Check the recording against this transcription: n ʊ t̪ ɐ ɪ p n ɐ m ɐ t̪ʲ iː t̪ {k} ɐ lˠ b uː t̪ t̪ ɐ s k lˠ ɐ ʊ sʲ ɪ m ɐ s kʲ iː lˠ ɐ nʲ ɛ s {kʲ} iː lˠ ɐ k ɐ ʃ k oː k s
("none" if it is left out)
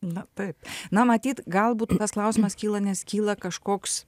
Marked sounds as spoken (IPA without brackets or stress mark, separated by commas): ɡ, kʲ